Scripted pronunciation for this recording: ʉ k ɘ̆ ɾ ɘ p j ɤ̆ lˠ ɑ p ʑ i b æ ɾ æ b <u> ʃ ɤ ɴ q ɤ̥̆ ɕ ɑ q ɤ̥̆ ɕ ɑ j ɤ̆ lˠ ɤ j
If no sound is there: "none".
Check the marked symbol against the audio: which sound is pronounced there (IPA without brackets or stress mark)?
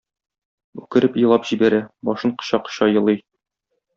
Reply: ɒ